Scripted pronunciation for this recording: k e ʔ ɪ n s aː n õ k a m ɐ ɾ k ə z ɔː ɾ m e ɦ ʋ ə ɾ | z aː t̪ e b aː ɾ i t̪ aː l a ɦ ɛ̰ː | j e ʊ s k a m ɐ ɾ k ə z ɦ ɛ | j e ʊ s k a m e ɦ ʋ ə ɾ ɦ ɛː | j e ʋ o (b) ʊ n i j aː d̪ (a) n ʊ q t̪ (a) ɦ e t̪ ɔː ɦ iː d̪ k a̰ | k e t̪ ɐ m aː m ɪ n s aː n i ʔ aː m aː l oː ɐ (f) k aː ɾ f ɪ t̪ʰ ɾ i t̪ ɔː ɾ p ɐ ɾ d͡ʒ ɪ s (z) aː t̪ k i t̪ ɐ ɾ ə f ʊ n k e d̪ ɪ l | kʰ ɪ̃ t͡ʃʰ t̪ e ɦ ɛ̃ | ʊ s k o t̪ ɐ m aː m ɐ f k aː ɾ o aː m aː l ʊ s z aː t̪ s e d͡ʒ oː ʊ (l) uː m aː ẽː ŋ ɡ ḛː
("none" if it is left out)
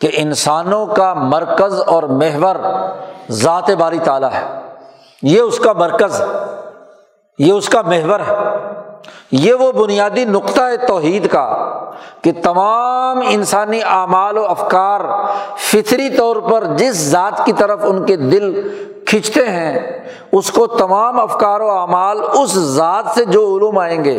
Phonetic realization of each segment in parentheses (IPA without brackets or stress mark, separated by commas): b, i, a, f, z, l